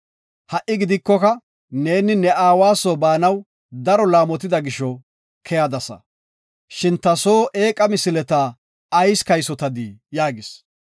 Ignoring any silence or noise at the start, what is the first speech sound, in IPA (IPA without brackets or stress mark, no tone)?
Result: h